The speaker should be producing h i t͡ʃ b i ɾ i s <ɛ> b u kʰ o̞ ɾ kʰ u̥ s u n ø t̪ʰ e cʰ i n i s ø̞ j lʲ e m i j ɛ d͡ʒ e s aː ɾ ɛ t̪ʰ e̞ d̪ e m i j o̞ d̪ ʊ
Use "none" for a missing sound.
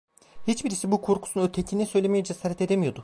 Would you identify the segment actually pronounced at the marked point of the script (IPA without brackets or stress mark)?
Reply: i